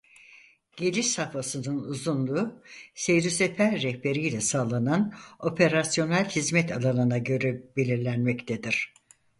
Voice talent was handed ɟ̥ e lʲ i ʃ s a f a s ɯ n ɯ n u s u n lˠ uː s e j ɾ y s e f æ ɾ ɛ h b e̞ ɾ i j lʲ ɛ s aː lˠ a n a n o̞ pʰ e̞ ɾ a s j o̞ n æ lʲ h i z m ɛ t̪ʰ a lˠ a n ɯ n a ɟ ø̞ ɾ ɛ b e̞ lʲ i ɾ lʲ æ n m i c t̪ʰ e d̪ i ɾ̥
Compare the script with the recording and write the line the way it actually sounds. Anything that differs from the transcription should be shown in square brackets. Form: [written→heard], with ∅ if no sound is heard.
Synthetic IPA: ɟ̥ e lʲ i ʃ s a f a s ɯ n ɯ n u [s→z] u n lˠ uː s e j ɾ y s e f æ [ɾ→ɾː] ɛ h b e̞ ɾ i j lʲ ɛ s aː lˠ a n a n o̞ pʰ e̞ ɾ a s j o̞ n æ lʲ h i z m ɛ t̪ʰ a lˠ a n ɯ n a ɟ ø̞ ɾ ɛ b e̞ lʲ i ɾ lʲ æ n m [i→ɛ] c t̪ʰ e d̪ i ɾ̥